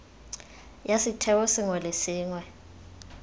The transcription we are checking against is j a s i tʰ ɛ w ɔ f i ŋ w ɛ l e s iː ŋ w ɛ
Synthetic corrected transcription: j a s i tʰ ɛ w ɔ s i ŋ w ɛ l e s iː ŋ w ɛ

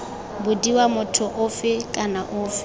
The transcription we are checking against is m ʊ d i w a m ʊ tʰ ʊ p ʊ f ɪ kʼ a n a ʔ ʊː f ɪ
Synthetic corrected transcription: b ʊ d i w a m ʊ tʰ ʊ ʔ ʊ f ɪ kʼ a n a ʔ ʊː f ɪ

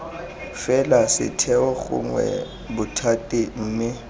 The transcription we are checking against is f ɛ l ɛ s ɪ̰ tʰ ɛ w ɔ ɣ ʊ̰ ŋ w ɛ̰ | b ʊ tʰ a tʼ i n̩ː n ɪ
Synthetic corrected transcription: f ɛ l a s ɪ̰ tʰ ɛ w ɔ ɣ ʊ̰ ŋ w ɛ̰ | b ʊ tʰ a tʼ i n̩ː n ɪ

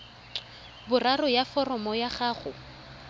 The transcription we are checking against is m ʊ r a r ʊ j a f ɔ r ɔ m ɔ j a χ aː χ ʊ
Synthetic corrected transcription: b ʊ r a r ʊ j a f ɔ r ɔ m ɔ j a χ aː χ ʊ

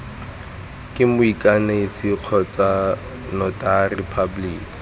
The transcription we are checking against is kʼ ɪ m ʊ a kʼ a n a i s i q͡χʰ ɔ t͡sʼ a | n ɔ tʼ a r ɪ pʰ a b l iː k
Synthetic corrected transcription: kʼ ɪ m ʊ i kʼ a n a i s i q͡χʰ ɔ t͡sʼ a | n ɔ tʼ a r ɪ pʰ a b l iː k

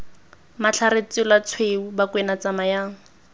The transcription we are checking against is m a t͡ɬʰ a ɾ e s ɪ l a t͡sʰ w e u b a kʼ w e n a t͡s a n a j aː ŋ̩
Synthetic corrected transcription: m a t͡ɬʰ a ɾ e t͡s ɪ l a t͡sʰ w e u b a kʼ w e n a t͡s a m a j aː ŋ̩

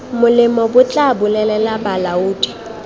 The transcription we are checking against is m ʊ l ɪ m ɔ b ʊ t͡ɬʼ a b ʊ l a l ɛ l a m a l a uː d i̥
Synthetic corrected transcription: m ʊ l ɪ m ɔ b ʊ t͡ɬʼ a b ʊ l ɛ l ɛ l a b a l a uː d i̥

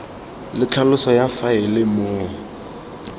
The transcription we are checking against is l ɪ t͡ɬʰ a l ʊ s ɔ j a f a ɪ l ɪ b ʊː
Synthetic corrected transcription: l ɪ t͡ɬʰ a l ʊ s ɔ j a f a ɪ l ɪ m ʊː

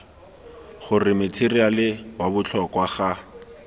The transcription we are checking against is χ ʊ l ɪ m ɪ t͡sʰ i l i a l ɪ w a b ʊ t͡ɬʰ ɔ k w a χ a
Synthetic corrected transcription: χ ʊ r ɪ m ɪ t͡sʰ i r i a l ɪ w a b ʊ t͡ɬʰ ɔ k w a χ a

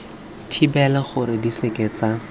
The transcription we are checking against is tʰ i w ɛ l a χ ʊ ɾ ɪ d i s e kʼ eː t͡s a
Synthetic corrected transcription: tʰ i b ɛ l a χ ʊ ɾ ɪ d i s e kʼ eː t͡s a

